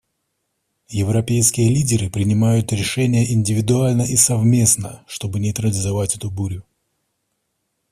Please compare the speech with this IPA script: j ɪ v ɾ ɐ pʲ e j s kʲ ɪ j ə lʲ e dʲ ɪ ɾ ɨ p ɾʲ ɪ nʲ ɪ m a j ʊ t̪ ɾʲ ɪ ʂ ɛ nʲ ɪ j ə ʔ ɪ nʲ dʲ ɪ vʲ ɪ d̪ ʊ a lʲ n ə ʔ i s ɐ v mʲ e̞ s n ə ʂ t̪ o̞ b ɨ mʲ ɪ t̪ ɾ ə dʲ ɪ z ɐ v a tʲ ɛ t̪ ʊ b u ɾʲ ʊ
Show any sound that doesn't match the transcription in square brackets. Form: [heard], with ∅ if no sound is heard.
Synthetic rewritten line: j ɪ v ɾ ɐ pʲ e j s kʲ ɪ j ə lʲ [i] dʲ ɪ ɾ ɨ p ɾʲ ɪ nʲ ɪ m a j ʊ t̪ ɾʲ ɪ ʂ ɛ nʲ ɪ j ə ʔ ɪ nʲ dʲ ɪ vʲ ɪ d̪ ʊ a lʲ n ə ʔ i s ɐ v mʲ e̞ s n ə ʂ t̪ o̞ b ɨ [nʲ] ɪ t̪ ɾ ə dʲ ɪ z ɐ v a tʲ ɛ t̪ ʊ b u ɾʲ ʊ